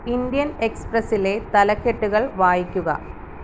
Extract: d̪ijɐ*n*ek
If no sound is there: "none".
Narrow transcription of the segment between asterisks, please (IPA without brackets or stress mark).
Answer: n